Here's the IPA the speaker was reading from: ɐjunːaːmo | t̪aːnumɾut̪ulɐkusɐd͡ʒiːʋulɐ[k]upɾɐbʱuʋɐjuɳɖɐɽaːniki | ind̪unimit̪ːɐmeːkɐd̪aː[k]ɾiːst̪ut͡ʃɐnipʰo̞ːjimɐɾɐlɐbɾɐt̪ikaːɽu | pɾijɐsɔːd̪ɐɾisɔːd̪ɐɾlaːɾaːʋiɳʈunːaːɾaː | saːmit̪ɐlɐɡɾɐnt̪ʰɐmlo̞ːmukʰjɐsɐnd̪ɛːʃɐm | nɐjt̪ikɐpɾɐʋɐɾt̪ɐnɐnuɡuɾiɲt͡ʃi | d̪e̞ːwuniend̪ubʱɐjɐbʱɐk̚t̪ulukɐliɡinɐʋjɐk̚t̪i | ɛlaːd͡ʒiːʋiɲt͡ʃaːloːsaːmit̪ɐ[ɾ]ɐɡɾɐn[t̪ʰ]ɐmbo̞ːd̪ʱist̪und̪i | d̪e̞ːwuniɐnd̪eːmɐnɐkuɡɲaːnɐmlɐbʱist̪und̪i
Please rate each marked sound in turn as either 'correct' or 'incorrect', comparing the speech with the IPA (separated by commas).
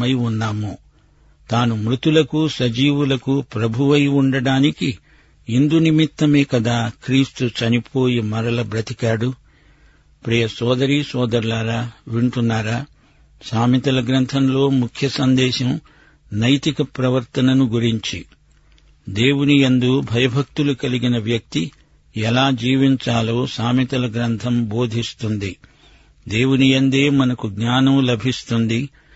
correct, correct, incorrect, correct